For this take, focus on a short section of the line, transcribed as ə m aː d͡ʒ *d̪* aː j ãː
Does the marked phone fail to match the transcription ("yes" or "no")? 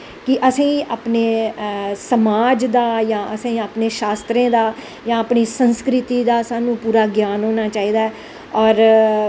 no